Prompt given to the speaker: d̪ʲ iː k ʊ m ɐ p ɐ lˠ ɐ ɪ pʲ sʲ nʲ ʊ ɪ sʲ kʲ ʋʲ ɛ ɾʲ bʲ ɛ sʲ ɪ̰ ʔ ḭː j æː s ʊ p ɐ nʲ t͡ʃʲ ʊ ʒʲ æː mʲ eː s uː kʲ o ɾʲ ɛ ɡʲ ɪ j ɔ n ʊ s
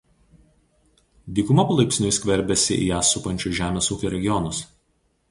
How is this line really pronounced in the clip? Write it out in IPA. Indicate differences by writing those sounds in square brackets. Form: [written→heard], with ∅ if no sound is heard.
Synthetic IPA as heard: d̪ʲ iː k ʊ m ɐ p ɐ lˠ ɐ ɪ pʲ sʲ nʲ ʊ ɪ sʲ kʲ ʋʲ ɛ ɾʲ bʲ ɛ sʲ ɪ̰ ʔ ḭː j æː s ʊ p ɐ nʲ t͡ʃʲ ʊ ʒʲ æː mʲ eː s uː kʲ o ɾʲ ɛ ɡʲ ɪ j ɔ n ʊ s